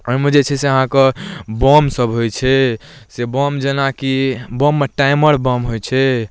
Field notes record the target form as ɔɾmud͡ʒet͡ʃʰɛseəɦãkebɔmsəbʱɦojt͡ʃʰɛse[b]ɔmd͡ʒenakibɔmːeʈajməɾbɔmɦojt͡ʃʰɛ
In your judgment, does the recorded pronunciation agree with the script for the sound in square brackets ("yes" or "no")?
yes